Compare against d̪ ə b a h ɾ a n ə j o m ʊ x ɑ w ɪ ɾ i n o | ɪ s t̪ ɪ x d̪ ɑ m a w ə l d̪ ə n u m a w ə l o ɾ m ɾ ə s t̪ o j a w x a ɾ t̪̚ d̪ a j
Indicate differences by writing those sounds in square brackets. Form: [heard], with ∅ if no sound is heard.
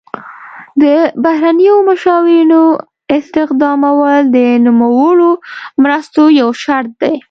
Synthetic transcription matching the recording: d̪ ə b a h ɾ a n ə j o m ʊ [ʃ] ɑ w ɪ ɾ i n o | ɪ s t̪ ɪ x d̪ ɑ m a w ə l d̪ ə n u m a w ə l o [∅] m ɾ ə s t̪ o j a w [ʃ] a ɾ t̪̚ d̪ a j